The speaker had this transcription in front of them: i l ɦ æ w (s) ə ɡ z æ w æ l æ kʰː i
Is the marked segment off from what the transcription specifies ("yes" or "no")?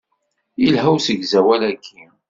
no